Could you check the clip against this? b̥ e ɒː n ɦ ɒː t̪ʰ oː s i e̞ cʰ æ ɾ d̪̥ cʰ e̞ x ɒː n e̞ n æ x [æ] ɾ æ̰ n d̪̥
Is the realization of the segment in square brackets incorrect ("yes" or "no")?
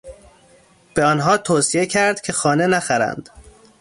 no